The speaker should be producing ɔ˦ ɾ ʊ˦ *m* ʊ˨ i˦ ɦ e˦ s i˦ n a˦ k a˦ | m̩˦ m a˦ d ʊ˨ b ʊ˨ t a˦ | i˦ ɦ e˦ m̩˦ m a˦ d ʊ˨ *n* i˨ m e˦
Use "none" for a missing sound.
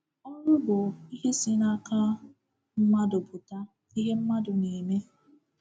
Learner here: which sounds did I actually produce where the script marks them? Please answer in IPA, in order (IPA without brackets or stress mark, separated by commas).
b, n